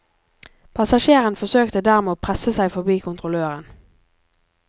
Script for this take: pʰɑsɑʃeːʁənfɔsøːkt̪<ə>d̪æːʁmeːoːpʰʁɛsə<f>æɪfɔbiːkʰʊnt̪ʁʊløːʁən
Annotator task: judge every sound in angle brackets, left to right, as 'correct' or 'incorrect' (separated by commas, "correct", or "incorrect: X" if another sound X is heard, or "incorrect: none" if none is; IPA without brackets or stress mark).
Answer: correct, incorrect: s